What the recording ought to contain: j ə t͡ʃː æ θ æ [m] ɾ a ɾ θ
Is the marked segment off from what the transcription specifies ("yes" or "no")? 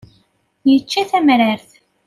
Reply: no